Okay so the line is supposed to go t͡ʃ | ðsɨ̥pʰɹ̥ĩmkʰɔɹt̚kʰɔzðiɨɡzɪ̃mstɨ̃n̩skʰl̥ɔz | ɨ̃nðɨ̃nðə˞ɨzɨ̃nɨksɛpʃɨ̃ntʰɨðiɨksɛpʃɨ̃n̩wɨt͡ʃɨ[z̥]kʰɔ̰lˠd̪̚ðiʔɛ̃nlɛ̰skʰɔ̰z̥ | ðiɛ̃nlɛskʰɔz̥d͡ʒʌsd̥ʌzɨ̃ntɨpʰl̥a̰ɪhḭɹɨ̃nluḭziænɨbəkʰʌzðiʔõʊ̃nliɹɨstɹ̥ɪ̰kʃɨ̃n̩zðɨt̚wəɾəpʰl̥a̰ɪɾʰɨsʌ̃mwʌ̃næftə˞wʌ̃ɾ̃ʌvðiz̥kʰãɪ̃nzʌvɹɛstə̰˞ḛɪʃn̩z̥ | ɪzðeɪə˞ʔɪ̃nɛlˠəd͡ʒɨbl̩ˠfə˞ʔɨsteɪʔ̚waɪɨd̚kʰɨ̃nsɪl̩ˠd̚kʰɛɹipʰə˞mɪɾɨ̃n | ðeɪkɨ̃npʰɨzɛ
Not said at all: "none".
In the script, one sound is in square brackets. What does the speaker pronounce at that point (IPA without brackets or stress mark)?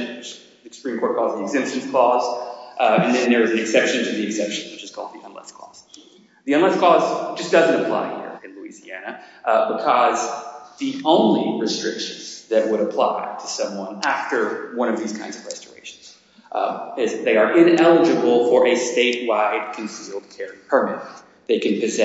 z̥